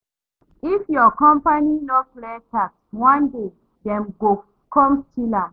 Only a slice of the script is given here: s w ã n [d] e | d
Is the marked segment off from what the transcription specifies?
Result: no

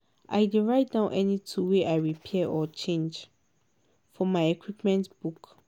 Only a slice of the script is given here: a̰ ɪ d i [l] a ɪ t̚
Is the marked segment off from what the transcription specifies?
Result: yes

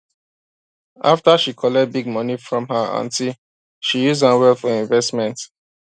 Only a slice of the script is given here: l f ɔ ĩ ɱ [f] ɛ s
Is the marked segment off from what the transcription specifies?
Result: yes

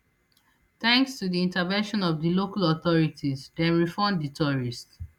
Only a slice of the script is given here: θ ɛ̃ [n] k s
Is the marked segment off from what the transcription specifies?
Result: yes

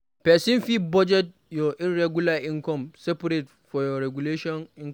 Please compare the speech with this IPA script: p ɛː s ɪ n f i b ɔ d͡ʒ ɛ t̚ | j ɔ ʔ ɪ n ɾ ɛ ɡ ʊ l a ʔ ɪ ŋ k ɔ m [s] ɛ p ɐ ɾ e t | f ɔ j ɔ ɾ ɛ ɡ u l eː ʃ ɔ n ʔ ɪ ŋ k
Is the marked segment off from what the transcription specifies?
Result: no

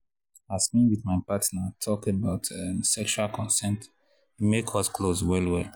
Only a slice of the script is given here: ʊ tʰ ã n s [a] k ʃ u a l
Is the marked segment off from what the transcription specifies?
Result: yes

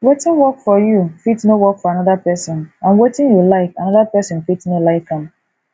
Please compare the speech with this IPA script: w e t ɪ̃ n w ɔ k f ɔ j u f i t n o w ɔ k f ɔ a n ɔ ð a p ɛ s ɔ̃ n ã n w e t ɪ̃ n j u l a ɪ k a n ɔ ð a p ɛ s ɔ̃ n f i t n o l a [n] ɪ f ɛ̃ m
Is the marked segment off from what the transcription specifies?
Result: yes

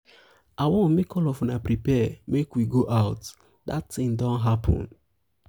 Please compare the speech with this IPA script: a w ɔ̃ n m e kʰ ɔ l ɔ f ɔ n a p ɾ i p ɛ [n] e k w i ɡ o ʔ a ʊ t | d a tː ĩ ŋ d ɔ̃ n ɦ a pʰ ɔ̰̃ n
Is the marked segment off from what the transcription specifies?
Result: yes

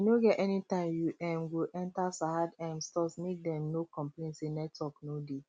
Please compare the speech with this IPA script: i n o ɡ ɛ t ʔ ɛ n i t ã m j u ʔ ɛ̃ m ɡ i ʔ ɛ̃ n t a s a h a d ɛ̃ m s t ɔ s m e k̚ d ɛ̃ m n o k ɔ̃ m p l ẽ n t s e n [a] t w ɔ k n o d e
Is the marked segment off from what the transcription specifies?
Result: yes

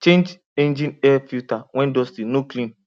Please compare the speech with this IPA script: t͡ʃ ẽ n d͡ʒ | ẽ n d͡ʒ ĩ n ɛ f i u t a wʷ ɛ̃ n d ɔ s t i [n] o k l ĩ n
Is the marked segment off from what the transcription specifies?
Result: no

